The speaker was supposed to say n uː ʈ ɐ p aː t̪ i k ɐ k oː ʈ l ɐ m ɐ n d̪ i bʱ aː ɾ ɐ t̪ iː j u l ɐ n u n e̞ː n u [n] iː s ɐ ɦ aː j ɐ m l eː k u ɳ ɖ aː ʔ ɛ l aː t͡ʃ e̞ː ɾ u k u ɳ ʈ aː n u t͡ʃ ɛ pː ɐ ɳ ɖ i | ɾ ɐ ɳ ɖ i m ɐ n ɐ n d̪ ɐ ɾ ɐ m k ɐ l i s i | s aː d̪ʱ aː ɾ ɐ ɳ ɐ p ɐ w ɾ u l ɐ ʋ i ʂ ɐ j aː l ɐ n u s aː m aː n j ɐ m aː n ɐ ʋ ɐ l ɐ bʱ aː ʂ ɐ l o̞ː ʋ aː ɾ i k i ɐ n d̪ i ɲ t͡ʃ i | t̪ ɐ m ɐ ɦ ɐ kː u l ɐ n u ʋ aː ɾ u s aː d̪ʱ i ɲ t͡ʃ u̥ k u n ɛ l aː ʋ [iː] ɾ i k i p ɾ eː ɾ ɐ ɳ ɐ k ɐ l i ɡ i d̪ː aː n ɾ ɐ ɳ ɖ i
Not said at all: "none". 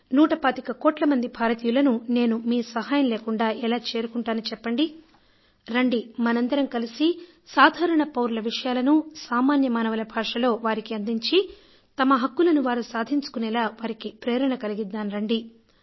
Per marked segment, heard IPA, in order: m, aː

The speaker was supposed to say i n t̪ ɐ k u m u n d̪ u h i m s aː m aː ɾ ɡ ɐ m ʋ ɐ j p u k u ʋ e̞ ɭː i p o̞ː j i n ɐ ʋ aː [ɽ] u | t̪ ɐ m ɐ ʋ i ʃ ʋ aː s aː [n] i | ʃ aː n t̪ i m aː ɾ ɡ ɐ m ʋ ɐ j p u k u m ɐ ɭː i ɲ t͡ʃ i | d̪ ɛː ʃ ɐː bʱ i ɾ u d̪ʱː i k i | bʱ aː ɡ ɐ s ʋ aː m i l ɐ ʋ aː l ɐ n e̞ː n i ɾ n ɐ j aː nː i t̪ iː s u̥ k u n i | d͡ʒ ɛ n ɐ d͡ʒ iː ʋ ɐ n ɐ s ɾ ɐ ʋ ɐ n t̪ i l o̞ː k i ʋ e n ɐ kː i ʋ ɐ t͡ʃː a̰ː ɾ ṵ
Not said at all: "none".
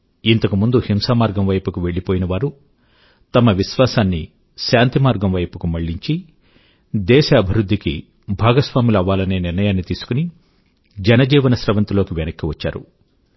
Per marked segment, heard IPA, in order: ɾ, nː

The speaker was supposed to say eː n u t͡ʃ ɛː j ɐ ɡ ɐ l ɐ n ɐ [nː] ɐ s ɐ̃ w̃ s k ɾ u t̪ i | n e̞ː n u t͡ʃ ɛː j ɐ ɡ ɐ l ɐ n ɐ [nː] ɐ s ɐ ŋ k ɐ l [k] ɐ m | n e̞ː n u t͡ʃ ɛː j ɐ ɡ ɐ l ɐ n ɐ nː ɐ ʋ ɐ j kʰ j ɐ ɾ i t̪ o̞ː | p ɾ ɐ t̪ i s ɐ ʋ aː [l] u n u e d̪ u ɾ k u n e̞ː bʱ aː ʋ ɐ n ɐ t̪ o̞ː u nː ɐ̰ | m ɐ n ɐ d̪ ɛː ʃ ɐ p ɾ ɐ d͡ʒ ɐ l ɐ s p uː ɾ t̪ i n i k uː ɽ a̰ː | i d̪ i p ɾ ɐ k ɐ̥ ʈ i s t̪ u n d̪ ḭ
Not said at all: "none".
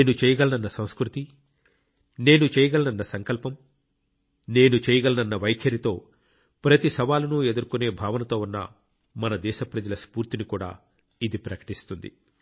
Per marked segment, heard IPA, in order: nː, nː, p, l

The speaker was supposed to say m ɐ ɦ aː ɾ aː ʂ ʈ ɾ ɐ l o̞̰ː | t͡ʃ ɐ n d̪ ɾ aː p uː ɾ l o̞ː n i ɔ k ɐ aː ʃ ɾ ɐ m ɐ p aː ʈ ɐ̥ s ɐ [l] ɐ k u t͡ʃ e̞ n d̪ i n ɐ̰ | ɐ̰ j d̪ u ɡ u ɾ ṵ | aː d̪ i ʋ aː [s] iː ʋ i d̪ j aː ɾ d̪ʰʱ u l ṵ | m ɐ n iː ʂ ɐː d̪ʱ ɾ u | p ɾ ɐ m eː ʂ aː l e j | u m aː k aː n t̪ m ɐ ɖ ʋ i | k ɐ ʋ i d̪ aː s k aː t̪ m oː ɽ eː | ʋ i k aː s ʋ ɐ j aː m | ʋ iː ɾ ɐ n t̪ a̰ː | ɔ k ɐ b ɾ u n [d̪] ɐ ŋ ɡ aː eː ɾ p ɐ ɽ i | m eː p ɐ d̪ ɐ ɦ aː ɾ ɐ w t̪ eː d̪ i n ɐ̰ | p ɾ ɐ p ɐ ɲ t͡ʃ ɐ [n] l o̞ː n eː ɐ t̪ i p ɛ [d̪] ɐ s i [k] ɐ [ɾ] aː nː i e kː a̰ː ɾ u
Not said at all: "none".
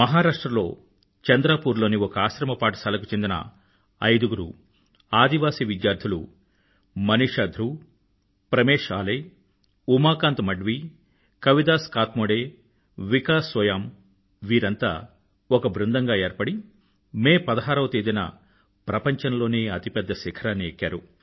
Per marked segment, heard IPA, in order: l, s, d̪, n, d̪ː, kʰ, ɾ

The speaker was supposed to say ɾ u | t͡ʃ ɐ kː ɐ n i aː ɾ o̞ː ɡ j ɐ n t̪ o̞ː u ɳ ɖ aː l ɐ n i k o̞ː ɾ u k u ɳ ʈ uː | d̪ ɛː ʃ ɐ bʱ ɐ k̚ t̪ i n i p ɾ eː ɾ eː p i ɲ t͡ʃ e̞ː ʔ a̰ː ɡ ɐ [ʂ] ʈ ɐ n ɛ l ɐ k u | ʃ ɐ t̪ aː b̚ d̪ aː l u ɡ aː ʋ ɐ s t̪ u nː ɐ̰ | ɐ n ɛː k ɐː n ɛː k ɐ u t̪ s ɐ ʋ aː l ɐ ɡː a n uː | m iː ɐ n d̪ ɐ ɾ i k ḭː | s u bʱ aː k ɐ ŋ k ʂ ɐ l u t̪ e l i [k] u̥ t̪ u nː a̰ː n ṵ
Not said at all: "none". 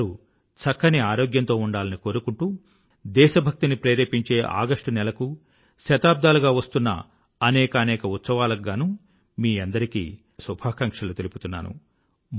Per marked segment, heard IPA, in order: ʂ, p

